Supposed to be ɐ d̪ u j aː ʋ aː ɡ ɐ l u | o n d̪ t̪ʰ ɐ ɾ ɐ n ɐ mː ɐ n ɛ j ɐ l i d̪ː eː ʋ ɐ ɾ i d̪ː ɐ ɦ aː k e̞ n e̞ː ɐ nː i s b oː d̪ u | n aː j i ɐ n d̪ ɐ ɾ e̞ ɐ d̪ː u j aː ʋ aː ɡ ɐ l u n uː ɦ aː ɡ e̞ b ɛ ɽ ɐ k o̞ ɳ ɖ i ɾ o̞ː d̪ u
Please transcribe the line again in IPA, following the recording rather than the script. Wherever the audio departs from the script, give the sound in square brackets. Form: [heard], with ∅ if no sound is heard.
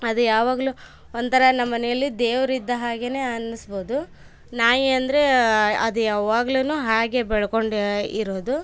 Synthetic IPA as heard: ɐ d̪ u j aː ʋ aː ɡ ɐ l u | o n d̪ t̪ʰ ɐ ɾ ɐ n ɐ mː ɐ n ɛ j ɐ [lː] i [d̪] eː ʋ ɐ ɾ i d̪ː ɐ ɦ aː [ɡ] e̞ n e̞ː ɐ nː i s b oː d̪ u | n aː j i ɐ n d̪ ɐ ɾ e̞ ɐ [d̪] u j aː ʋ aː ɡ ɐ l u n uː ɦ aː ɡ e̞ b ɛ [ɭ] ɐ k o̞ ɳ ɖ i ɾ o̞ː d̪ u

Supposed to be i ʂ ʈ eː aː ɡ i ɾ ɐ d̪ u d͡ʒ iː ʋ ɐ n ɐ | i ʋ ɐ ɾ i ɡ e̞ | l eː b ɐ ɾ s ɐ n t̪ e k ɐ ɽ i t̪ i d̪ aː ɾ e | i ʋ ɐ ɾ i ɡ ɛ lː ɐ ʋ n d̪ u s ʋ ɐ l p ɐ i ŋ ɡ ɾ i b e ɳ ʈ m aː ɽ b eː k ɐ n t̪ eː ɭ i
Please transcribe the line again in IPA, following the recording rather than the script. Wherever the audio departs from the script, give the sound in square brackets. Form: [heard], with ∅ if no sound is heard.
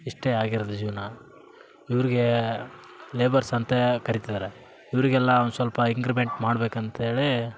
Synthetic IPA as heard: i ʂ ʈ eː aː ɡ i ɾ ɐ d̪ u d͡ʒ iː ʋ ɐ n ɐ | i ʋ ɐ ɾ i ɡ e̞ | l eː b ɐ ɾ s ɐ n t̪ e k ɐ [ɾ] i t̪ i d̪ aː ɾ e | i ʋ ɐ ɾ i ɡ ɛ lː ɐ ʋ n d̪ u s ʋ ɐ l p ɐ i ŋ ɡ ɾ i b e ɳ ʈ m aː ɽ b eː k ɐ n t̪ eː ɭ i

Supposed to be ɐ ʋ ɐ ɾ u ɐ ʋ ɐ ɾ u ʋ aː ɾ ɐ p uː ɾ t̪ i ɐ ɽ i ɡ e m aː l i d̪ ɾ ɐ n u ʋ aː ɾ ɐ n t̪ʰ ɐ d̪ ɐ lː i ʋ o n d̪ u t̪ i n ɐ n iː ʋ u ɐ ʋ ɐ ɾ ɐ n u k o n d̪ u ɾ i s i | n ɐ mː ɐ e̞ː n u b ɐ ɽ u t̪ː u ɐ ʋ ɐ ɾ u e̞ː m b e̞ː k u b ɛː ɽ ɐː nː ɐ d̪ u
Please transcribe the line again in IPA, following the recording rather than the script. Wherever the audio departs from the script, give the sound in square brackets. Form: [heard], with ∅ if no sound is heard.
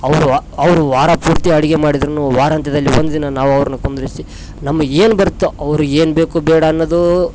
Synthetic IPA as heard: ɐ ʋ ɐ ɾ u ɐ ʋ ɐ ɾ u ʋ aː ɾ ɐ p uː ɾ t̪ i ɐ ɽ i ɡ e m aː [ɽ] i d̪ ɾ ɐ n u ʋ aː ɾ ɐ n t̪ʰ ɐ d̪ ɐ lː i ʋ o n d̪ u [d̪] i n ɐ n [aː] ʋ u ɐ ʋ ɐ ɾ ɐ n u k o n d̪ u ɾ i s i | n ɐ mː ɐ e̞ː n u b ɐ [ɾ] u t̪ː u ɐ ʋ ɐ ɾ u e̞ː [n] b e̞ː k u b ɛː ɽ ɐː nː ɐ d̪ u

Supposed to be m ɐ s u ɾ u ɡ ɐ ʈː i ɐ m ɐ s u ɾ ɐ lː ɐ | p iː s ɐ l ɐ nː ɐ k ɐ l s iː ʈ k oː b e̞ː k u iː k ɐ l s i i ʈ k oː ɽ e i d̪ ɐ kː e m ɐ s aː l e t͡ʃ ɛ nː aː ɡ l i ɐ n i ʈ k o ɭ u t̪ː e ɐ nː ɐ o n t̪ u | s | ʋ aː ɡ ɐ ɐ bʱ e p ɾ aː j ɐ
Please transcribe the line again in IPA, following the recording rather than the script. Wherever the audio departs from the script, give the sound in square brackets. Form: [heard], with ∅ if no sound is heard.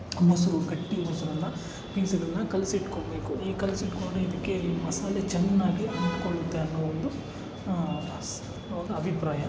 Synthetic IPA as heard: m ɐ s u ɾ u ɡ ɐ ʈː i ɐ m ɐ s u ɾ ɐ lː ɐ | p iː s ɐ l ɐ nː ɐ k ɐ l s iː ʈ k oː b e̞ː k u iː k ɐ l s i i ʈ k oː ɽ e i d̪ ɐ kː e m ɐ s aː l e t͡ʃ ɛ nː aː ɡ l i ɐ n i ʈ k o ɭ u t̪ː e ɐ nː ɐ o n [d̪] u | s | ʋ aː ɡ ɐ ɐ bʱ [i] p ɾ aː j ɐ

